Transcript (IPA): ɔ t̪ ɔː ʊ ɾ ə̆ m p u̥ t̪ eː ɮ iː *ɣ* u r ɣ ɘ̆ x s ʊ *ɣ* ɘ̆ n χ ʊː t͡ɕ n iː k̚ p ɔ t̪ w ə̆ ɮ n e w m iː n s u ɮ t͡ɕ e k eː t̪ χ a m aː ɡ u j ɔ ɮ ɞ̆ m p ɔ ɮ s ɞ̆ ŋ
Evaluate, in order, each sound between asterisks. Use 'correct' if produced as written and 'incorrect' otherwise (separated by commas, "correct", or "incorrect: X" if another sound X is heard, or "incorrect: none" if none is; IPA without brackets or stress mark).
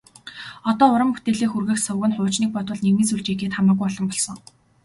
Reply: incorrect: x, correct